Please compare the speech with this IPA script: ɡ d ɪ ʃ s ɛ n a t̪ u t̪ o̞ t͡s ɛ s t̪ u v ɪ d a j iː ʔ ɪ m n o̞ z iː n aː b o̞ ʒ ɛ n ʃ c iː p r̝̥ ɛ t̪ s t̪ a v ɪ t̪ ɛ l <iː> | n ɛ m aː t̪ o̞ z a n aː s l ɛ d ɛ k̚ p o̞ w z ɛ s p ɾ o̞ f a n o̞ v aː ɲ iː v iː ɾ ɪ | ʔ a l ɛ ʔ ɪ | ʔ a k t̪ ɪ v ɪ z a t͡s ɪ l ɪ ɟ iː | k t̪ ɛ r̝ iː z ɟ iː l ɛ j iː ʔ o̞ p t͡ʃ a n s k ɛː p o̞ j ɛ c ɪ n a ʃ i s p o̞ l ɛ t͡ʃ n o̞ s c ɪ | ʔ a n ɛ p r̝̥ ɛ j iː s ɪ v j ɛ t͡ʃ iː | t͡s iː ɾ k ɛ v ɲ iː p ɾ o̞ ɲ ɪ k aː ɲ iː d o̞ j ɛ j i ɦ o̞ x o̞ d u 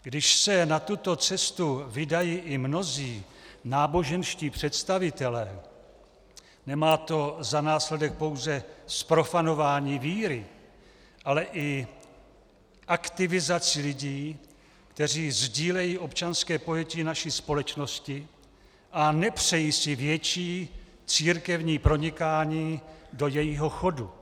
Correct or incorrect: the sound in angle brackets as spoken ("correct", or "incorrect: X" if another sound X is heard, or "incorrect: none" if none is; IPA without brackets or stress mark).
incorrect: ɛː